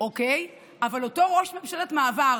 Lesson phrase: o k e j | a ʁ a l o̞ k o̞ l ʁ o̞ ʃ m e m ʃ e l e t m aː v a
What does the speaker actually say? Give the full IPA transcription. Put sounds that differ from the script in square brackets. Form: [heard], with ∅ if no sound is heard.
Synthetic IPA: o k e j | a [v] a l o̞ [t] o̞ [∅] ʁ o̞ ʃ m e m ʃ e l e t m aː v a